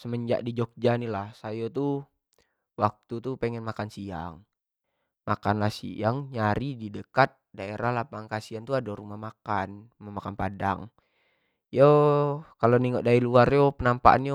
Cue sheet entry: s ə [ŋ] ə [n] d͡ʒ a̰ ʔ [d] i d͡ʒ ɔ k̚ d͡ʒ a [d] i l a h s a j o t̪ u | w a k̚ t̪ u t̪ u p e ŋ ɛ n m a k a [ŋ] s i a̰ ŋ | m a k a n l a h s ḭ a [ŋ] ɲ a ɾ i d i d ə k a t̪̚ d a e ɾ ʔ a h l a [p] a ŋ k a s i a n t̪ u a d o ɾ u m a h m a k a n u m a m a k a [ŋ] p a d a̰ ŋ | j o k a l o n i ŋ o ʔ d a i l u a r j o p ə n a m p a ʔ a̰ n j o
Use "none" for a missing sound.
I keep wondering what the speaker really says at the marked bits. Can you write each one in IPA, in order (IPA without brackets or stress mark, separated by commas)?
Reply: m, ɲ, d, n, n, ŋ, p, n